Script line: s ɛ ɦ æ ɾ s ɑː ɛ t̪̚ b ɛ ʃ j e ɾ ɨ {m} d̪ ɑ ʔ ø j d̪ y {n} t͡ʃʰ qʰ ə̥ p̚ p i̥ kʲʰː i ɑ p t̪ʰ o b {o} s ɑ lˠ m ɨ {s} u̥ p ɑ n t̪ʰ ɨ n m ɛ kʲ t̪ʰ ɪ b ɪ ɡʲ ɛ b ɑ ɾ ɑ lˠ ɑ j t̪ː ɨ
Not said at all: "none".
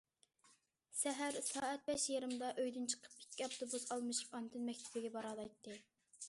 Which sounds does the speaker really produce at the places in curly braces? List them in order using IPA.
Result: m, n, u, ʃ

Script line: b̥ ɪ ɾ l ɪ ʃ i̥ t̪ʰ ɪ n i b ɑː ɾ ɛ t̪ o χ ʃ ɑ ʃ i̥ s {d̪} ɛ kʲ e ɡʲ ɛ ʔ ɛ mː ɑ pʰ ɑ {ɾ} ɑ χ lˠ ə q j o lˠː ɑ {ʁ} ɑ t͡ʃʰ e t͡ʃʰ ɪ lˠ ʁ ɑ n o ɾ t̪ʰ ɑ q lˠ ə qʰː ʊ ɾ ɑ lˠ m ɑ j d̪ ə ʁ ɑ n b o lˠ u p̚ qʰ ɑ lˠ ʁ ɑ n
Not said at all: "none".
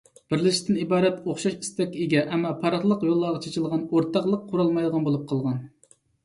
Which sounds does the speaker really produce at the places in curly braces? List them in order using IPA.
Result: t̪, ɾ, ʁ

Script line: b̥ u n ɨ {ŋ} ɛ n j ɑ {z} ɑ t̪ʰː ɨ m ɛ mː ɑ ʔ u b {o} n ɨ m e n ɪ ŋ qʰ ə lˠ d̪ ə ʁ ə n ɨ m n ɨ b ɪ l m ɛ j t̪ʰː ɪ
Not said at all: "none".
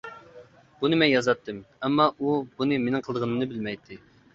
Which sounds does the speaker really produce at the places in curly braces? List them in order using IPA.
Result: m, z, u

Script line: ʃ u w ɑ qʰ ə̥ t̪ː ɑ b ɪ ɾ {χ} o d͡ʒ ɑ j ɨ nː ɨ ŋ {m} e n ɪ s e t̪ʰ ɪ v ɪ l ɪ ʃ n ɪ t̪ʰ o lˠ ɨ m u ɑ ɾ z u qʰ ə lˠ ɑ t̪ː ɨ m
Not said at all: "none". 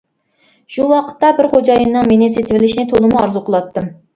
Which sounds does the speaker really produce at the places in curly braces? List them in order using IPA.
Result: χ, m

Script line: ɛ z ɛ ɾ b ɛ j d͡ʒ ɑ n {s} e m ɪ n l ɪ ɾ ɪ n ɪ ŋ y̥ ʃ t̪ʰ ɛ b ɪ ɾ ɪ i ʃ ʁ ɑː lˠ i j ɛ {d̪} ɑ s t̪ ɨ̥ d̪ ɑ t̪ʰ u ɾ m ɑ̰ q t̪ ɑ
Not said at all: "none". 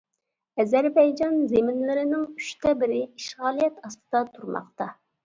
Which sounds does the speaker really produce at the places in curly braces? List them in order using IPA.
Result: z, t̪

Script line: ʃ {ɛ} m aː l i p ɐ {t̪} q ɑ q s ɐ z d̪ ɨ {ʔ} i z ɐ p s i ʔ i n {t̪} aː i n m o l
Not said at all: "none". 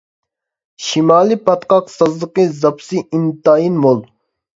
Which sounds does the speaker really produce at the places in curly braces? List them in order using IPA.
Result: i, t̪, q, t̪

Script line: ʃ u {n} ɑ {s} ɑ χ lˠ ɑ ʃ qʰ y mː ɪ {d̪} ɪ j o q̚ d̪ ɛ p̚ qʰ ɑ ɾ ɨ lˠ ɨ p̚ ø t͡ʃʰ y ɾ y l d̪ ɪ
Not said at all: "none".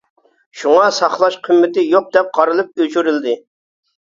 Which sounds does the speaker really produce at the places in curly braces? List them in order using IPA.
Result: ŋ, s, t̪

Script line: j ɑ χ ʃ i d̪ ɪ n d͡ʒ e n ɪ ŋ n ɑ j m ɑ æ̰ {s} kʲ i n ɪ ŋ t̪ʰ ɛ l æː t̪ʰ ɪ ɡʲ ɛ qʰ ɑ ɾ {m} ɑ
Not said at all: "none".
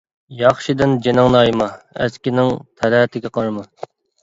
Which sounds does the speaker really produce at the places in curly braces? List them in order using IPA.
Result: s, m

